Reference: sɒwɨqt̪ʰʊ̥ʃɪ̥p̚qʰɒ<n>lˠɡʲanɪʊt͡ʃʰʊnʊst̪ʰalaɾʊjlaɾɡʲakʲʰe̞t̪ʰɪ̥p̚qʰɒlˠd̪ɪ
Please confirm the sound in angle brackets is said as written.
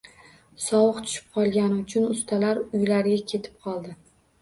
no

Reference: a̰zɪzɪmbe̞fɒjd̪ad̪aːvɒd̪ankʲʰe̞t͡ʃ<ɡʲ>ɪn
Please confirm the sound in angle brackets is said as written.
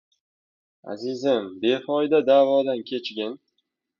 yes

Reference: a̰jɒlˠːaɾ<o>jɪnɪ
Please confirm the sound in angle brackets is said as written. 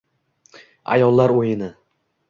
yes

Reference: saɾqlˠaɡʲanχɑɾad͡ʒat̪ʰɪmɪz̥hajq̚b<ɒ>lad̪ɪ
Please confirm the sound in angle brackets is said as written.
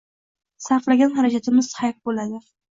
no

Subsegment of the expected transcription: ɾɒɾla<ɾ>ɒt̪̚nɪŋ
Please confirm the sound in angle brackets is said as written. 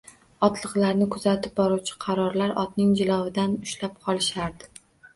yes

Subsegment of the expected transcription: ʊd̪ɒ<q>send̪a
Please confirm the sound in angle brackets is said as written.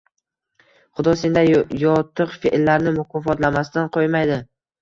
no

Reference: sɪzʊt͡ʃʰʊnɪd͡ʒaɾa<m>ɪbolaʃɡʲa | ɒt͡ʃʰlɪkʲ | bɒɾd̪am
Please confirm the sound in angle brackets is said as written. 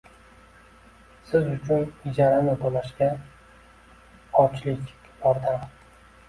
no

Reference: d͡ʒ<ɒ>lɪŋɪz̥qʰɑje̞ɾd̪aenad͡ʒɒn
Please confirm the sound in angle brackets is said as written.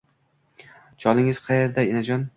yes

